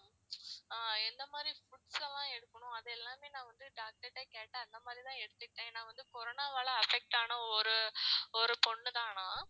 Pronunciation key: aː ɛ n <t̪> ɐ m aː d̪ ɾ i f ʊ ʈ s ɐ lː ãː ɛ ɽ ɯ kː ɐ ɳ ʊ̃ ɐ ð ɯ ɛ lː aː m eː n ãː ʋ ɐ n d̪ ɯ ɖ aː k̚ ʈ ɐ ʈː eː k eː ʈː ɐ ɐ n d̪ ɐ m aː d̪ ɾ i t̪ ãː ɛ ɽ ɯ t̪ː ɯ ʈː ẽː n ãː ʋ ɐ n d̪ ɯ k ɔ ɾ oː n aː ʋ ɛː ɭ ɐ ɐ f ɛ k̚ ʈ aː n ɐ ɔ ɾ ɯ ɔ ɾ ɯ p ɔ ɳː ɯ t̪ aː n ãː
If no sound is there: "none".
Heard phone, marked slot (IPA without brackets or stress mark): d̪